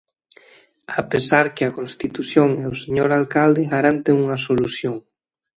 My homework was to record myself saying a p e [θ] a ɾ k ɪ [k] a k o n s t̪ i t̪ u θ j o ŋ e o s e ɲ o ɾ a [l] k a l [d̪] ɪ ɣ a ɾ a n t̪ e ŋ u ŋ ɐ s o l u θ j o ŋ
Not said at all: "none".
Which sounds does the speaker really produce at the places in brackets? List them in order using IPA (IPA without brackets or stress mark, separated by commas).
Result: s, none, l, d̪